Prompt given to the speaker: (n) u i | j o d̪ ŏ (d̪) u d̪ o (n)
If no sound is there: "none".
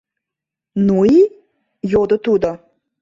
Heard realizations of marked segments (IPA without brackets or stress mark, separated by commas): n, t̪, none